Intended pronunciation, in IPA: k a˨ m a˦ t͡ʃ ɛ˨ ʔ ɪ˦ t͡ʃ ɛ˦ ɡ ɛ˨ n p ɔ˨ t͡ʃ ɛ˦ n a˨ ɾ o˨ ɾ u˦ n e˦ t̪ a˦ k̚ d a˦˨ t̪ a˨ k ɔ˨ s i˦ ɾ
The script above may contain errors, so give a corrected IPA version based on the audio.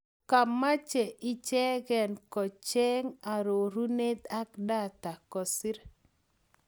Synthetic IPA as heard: k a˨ m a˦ t͡ʃ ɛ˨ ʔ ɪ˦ t͡ʃ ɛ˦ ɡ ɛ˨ n k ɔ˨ t͡ʃ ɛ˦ ŋ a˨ ɾ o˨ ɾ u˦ n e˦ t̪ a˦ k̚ d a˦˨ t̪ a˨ k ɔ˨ s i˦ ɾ

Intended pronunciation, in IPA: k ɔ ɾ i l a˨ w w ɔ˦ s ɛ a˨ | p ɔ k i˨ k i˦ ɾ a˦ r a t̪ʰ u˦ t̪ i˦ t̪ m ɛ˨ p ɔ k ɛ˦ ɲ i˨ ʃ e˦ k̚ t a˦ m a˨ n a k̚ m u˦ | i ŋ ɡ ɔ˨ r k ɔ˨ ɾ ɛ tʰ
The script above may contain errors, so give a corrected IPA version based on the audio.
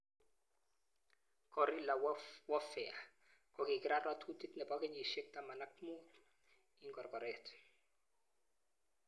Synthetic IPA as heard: k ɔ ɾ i l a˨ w w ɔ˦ f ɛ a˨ | k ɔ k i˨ k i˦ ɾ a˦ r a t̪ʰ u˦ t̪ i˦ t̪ n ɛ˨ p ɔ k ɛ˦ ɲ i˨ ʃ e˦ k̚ t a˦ m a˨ n a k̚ m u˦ | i ŋ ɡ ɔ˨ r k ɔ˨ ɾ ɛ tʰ

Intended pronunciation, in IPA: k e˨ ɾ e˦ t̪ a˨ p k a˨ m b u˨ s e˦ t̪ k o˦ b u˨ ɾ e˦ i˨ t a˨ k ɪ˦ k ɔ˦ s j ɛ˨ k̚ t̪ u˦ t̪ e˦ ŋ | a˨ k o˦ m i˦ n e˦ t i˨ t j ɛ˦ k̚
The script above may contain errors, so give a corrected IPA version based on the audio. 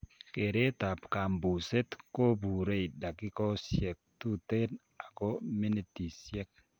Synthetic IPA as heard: k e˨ ɾ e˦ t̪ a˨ p k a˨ m b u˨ s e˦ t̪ k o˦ b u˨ ɾ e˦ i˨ d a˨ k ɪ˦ k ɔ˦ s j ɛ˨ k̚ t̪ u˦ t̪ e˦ n | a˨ k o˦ m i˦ n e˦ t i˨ s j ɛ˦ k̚

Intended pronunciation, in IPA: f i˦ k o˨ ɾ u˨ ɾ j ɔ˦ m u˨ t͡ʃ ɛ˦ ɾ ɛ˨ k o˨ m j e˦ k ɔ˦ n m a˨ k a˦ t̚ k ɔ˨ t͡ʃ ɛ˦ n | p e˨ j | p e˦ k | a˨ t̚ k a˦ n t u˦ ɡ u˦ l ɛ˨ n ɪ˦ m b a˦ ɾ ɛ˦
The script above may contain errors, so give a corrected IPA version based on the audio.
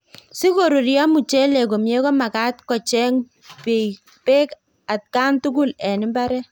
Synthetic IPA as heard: s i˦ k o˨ ɾ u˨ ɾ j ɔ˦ m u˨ t͡ʃ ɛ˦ l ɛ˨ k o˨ m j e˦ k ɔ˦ m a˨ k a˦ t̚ k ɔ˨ t͡ʃ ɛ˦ ŋ | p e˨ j | p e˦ k | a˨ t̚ k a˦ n t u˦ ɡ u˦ l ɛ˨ n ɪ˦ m b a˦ ɾ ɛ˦

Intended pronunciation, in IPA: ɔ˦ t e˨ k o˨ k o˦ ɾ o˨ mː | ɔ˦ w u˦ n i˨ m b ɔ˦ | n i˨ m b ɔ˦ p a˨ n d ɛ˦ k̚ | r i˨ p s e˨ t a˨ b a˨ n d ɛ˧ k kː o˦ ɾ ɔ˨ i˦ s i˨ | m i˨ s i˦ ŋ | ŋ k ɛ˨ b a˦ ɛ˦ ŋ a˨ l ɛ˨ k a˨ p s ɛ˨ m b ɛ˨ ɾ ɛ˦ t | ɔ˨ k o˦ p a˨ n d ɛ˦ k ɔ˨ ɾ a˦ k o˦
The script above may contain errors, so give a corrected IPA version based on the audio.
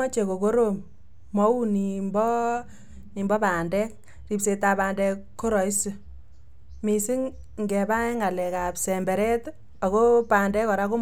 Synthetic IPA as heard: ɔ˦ t͡ʃ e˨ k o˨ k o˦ ɾ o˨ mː | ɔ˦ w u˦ n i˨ m b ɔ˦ | n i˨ m b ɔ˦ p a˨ n d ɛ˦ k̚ | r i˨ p s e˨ t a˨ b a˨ n d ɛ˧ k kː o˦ ɾ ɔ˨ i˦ s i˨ | m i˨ s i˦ ŋ | ŋ ɡ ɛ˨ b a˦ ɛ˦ ŋ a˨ l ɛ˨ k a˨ p s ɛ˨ m b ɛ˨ ɾ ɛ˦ t | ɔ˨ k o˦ p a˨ n d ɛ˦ k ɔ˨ ɾ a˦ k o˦

